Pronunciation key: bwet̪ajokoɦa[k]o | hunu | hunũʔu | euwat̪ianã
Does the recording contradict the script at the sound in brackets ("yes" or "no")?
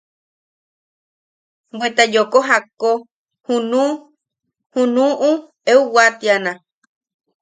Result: no